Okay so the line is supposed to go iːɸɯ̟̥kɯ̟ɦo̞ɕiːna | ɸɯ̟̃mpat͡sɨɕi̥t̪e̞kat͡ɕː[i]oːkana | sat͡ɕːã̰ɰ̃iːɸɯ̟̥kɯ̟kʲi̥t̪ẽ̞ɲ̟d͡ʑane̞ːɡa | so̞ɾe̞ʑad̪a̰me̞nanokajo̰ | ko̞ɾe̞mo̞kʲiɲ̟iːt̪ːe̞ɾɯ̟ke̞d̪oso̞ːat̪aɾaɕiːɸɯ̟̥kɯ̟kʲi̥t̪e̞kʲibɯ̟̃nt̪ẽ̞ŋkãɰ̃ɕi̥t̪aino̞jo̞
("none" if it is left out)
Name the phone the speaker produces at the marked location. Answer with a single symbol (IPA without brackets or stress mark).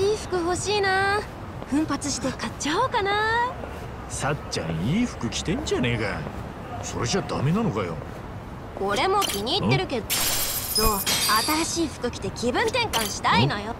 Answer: a